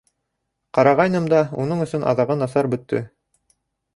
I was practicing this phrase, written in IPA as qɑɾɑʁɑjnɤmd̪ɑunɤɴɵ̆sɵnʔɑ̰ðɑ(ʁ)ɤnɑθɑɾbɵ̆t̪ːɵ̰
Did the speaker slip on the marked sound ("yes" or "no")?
no